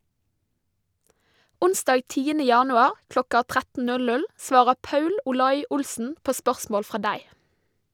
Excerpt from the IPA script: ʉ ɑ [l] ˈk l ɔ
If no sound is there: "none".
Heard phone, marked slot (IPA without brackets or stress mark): ɾ